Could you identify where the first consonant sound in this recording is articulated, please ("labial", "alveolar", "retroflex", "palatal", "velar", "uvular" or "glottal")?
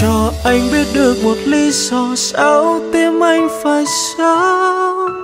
glottal